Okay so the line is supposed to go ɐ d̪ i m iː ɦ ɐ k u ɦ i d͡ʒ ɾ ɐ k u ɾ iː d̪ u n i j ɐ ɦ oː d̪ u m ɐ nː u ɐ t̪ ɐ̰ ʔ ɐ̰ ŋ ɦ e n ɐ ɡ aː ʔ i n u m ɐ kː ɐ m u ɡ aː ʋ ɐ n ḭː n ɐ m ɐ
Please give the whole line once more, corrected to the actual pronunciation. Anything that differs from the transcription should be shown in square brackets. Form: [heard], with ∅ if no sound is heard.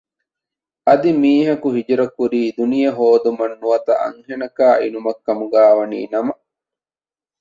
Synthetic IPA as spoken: ɐ d̪ i m iː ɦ ɐ k u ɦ i d͡ʒ ɾ ɐ k u ɾ iː d̪ u n i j ɐ ɦ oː d̪ u m ɐ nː u ɐ t̪ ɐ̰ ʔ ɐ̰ ŋ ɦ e n ɐ [k] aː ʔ i n u m ɐ kː ɐ m u ɡ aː ʋ ɐ n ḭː n ɐ m ɐ